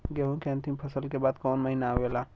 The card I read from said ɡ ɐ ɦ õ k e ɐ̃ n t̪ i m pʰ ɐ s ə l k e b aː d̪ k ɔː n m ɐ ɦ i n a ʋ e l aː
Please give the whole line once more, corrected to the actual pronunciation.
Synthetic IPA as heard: ɡ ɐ ɦ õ k e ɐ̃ n t̪ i m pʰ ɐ s ə l k e b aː d̪ k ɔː n m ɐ ɦ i n a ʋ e l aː